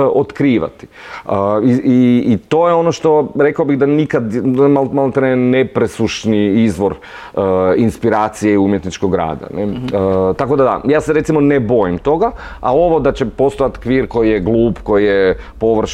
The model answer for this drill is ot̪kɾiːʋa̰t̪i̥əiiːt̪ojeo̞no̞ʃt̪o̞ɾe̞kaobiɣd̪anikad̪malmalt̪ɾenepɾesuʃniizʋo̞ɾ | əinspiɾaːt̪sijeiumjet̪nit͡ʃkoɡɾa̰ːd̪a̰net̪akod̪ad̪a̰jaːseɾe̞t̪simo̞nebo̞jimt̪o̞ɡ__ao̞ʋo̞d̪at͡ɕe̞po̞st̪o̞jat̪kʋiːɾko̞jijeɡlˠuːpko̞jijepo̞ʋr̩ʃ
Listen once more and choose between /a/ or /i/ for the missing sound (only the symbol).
a